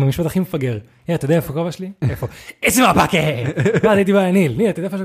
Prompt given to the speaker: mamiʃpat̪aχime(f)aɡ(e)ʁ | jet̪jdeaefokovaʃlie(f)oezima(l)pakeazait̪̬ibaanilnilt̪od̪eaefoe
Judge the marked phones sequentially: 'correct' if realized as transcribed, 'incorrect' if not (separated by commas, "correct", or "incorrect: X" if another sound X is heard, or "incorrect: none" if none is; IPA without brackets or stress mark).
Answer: correct, correct, correct, incorrect: none